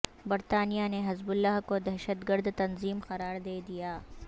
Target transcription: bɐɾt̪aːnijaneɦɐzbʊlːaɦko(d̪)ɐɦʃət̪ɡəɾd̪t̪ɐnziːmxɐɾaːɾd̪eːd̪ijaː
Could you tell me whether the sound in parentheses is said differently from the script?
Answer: no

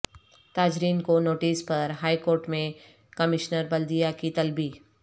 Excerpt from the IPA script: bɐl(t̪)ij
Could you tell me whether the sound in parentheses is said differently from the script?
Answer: yes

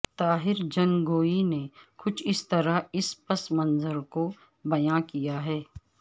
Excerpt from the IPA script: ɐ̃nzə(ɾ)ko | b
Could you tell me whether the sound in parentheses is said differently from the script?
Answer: no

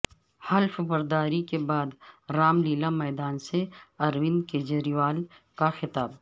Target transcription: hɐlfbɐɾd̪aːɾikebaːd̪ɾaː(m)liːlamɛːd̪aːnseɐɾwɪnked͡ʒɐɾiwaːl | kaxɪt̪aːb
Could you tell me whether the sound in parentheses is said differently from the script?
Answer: no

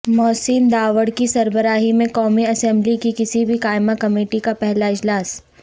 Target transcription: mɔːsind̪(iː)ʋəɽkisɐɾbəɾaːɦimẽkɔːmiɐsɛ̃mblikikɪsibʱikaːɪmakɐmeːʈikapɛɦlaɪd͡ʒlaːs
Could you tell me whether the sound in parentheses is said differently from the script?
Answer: yes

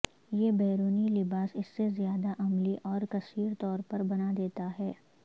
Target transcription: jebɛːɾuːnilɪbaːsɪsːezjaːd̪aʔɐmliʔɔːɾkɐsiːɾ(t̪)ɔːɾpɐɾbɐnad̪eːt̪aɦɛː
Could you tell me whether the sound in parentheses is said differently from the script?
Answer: no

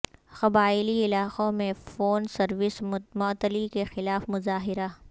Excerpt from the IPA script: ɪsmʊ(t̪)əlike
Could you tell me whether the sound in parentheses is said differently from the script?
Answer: no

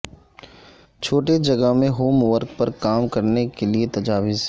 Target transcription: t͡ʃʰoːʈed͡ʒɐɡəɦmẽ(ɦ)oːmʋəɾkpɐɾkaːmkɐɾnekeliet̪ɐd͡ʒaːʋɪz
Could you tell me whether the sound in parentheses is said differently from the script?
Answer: no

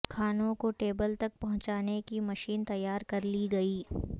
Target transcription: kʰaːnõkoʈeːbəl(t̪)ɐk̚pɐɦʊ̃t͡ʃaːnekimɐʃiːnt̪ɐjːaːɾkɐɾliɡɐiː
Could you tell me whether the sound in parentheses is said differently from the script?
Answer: no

